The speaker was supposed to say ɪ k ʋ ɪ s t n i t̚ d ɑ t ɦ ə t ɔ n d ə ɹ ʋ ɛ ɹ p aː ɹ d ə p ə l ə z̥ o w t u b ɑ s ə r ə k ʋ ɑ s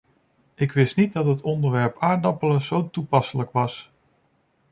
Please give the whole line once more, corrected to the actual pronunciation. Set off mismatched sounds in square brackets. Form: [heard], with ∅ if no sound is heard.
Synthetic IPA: ɪ k ʋ ɪ s t n i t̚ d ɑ t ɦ ə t ɔ n d ə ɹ ʋ ɛ ɹ p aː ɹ d [ɑ] p ə l ə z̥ o w t u [p] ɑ s ə [l] ə k ʋ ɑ s